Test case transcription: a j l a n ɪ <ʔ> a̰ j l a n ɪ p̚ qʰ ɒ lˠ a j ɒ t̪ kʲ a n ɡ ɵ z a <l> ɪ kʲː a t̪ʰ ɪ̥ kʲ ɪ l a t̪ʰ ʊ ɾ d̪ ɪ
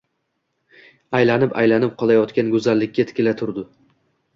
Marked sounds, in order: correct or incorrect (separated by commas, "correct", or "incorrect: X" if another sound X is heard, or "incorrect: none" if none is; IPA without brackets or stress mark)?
incorrect: p, incorrect: lː